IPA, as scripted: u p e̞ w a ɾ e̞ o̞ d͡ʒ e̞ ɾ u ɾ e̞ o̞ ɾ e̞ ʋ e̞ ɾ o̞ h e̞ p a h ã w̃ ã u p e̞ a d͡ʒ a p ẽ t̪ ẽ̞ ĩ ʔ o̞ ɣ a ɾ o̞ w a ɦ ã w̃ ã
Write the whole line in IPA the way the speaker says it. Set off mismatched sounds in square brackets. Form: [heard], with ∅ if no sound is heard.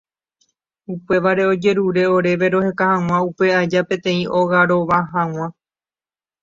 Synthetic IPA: u p e̞ [ʋ] a ɾ e̞ o̞ d͡ʒ e̞ ɾ u ɾ e̞ o̞ ɾ e̞ ʋ e̞ ɾ o̞ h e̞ [k] a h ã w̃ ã u p e̞ a d͡ʒ a p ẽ t̪ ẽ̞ ĩ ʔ o̞ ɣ a ɾ o̞ [ʋ] a ɦ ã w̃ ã